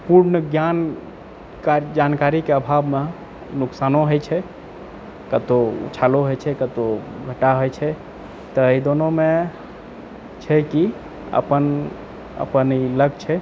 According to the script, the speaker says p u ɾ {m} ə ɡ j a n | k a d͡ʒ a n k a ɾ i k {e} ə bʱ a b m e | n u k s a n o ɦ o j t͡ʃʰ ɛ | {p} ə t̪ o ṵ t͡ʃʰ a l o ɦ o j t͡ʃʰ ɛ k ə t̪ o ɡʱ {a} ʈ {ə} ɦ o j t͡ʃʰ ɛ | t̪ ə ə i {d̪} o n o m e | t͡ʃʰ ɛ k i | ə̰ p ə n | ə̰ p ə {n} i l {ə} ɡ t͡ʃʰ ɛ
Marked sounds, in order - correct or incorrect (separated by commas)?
incorrect, correct, incorrect, incorrect, incorrect, correct, correct, correct